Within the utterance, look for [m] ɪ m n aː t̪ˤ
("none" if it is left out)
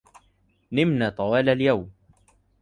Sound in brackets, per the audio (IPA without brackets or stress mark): n